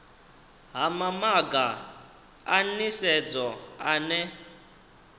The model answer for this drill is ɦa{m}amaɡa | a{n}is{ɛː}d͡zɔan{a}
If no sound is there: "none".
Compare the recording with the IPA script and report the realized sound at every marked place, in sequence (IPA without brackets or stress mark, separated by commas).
m, n, ɛ, ɛ